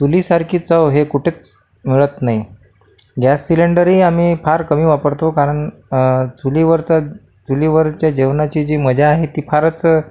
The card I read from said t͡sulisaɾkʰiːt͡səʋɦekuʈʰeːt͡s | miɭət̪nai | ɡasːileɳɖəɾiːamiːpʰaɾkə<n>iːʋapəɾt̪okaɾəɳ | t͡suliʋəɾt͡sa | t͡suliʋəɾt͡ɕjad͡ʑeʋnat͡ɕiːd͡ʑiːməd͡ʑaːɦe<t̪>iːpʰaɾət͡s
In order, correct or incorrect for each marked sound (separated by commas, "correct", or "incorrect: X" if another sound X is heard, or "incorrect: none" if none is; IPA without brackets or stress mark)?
incorrect: m, correct